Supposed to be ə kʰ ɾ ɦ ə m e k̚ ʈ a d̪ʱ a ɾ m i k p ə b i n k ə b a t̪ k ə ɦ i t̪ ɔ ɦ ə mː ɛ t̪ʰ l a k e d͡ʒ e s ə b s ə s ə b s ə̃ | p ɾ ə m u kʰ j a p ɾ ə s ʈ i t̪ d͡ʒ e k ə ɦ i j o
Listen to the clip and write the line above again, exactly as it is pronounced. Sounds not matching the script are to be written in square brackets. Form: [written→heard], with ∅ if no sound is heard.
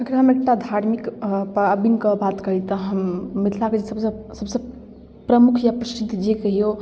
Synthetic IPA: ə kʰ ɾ ɦ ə m e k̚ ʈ a d̪ʱ a ɾ m i k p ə b i n k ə b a t̪ k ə ɦ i t̪ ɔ ɦ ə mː [ɛ→i] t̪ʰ l a k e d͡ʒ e s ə b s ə s ə b s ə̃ | p ɾ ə m u kʰ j a p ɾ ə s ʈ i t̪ d͡ʒ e k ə ɦ i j o